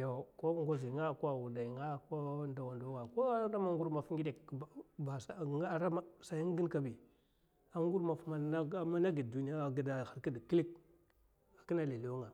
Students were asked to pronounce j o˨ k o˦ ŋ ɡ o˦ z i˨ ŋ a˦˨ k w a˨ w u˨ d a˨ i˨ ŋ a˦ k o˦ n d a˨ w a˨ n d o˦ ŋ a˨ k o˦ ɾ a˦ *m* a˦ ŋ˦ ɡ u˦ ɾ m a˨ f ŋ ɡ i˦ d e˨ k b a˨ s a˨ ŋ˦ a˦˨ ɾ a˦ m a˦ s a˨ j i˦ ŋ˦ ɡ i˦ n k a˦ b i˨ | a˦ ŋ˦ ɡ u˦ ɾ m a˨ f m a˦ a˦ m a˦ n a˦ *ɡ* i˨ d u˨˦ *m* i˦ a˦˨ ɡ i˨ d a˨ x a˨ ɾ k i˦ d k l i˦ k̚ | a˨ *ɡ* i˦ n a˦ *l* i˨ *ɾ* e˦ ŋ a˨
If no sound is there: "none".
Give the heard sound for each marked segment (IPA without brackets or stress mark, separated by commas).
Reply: m, ɡ, n, k, l, l